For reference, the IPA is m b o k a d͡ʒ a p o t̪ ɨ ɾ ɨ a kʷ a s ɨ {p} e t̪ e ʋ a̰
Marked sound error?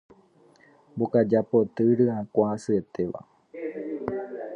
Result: yes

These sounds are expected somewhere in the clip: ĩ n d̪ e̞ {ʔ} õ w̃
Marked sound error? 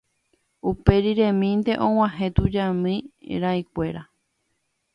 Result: no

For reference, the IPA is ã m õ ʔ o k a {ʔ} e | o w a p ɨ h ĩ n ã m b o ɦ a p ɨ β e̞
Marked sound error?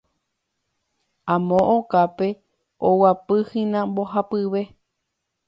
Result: yes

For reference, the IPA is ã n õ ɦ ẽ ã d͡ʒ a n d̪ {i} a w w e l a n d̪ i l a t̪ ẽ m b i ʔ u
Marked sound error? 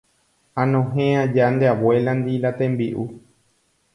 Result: yes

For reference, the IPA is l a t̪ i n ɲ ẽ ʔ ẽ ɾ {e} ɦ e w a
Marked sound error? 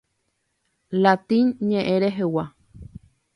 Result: no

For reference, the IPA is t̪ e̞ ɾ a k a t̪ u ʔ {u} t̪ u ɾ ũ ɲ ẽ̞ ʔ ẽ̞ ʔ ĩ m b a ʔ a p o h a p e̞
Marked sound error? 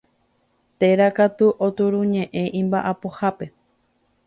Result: yes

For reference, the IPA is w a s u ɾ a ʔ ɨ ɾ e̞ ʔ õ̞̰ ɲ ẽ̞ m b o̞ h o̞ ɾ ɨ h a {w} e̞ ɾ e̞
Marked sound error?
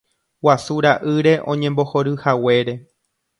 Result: no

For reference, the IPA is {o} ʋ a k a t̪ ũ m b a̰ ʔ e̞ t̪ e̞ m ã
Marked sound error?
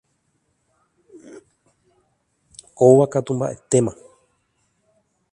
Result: no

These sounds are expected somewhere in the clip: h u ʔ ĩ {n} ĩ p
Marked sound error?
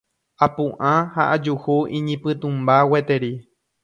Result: yes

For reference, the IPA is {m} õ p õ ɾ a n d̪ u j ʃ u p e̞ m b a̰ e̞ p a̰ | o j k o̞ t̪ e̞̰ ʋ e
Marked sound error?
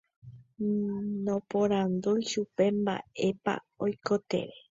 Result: yes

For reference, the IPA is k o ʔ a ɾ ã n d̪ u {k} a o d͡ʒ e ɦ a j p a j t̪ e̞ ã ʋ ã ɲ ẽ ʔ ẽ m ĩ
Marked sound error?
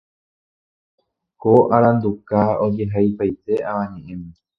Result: no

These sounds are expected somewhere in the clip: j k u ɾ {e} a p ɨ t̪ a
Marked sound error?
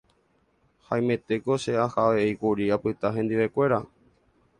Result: yes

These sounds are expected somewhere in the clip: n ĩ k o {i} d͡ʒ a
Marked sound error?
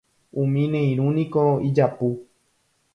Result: no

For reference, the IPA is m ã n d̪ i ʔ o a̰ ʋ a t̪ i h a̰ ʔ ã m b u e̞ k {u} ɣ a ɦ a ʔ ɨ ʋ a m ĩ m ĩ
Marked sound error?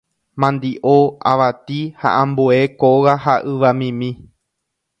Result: yes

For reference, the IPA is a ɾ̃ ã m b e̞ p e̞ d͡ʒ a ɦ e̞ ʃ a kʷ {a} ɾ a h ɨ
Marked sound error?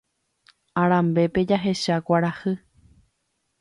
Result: no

